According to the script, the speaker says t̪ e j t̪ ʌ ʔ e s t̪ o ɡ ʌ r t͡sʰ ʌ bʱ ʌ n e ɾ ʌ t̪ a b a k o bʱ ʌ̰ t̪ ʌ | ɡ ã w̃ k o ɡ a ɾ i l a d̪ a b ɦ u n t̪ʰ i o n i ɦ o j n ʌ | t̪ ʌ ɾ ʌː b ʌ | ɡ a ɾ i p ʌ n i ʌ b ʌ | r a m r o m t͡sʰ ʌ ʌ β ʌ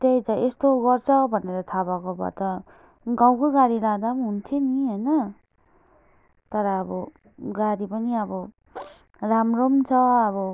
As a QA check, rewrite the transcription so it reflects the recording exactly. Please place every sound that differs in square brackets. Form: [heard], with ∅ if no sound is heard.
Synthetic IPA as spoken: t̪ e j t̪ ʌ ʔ e s t̪ o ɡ ʌ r t͡sʰ ʌ bʱ ʌ n e ɾ ʌ [t̪ʰ] a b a k o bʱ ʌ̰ t̪ ʌ | ɡ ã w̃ k o ɡ a ɾ i l a d̪ a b ɦ u n t̪ʰ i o n i ɦ o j n ʌ | t̪ ʌ ɾ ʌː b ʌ | ɡ a ɾ i p ʌ n i ʌ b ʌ | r a m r o m t͡sʰ ʌ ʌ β ʌ